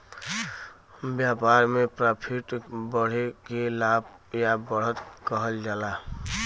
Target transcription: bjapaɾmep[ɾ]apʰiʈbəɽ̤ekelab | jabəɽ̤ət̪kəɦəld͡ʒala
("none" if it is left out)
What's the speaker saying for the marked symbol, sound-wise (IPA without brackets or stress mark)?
ɾ